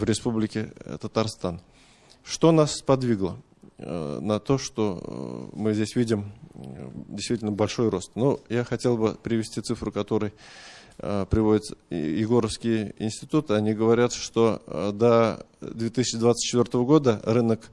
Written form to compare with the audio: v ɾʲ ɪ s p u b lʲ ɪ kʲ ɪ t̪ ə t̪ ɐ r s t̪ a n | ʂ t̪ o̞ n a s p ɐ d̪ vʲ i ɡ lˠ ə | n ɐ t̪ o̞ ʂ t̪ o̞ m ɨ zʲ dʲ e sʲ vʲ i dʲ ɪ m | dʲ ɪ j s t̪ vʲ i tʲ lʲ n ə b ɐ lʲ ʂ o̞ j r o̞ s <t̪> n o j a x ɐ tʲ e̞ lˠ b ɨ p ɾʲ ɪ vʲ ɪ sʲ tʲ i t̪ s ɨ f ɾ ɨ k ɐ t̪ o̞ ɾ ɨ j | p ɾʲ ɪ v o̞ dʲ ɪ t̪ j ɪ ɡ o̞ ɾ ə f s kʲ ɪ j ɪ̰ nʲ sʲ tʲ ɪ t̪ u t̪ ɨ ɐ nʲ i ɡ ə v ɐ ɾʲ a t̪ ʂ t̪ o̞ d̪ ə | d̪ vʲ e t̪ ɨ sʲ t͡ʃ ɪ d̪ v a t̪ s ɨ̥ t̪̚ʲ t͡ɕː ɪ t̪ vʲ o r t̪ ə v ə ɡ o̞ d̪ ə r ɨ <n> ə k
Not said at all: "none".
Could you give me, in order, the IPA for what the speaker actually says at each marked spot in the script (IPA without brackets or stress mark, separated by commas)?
t̪, n